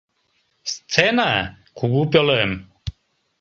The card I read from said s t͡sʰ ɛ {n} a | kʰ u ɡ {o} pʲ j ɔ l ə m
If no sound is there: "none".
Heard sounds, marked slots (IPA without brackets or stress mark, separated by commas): n, u